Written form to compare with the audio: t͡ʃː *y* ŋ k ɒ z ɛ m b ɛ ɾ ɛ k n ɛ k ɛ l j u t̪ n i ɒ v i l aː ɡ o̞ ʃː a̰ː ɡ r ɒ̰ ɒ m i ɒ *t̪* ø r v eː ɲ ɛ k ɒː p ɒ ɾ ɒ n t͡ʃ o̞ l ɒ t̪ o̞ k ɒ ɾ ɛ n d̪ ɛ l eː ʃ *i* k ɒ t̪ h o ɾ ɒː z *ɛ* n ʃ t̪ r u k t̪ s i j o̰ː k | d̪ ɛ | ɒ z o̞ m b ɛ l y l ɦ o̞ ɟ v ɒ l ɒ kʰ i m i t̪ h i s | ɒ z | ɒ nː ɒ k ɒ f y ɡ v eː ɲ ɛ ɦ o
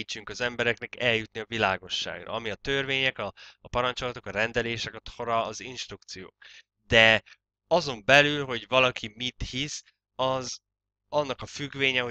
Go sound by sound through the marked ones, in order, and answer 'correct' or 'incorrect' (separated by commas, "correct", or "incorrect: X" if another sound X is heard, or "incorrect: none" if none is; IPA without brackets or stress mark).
correct, correct, incorrect: ɛ, incorrect: i